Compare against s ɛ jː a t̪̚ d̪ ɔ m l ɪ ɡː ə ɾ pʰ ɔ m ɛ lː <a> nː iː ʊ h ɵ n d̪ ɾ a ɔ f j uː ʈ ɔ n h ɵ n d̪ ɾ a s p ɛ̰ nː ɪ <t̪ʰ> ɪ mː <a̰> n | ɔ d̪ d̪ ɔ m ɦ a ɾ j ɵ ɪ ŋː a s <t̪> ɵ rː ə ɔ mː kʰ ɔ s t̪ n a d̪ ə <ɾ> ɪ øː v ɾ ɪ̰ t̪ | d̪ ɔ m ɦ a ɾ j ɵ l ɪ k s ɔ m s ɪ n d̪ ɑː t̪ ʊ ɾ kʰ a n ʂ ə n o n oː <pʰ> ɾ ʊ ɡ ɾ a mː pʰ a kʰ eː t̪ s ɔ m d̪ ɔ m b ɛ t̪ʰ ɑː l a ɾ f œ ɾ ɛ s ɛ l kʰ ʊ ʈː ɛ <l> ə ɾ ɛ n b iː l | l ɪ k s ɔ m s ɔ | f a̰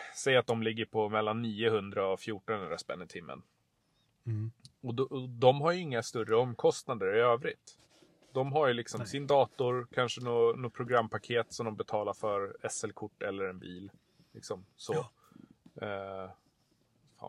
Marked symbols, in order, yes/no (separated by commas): yes, yes, no, yes, yes, yes, no